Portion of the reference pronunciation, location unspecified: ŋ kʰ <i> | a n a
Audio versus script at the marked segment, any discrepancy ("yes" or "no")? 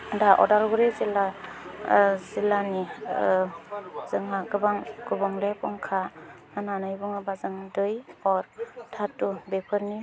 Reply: yes